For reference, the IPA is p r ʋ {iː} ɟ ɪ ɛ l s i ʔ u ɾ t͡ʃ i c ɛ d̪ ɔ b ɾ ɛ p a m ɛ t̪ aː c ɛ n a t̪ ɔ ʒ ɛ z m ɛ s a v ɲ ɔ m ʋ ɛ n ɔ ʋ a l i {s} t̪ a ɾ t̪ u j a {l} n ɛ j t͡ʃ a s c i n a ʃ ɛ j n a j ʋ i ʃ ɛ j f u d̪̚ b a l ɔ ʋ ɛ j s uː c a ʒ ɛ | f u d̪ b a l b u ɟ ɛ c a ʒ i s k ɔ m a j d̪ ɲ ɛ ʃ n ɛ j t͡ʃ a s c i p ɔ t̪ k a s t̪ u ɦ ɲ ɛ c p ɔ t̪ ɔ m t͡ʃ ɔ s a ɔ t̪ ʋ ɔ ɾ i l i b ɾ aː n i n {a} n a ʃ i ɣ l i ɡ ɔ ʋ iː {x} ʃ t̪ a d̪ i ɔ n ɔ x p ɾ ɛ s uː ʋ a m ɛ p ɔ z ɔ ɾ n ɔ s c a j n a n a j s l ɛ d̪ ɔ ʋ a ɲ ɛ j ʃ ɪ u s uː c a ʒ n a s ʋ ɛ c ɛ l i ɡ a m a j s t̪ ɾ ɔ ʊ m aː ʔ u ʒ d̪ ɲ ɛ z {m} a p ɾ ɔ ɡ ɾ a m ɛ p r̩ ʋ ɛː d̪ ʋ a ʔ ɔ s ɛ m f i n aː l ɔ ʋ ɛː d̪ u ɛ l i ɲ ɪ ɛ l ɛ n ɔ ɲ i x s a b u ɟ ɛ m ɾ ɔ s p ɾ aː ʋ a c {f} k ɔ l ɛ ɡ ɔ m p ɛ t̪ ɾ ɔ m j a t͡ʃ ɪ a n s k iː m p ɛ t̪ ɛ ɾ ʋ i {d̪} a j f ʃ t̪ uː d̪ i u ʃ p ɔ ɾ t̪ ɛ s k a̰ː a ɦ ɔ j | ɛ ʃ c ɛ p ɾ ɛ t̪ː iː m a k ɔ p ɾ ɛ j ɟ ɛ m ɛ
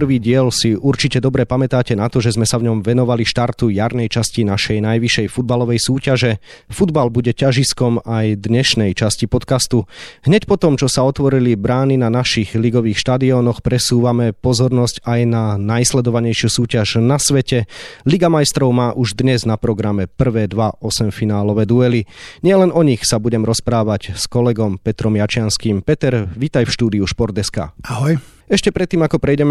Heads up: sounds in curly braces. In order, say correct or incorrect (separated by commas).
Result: correct, incorrect, incorrect, correct, correct, incorrect, incorrect, incorrect